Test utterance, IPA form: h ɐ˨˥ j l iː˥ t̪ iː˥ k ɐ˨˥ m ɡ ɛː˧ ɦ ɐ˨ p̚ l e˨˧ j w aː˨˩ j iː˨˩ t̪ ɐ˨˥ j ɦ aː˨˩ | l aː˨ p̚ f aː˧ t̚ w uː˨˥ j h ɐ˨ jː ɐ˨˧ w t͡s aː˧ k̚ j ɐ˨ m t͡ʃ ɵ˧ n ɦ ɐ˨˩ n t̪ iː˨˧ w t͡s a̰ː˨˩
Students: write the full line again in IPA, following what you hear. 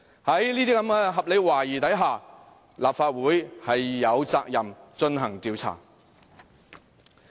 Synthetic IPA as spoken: h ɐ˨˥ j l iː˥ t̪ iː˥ k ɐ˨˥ m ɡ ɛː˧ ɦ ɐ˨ p̚ l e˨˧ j w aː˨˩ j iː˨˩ t̪ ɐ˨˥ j ɦ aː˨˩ | l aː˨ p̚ f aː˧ t̚ w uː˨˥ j h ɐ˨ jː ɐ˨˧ w t͡s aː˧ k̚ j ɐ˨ m t͡ʃ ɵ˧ n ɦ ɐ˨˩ ŋ t̪ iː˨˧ w t͡sʰ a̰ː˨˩